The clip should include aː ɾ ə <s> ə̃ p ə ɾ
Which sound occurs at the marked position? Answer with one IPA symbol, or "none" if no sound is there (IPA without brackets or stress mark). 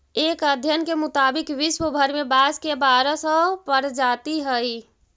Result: s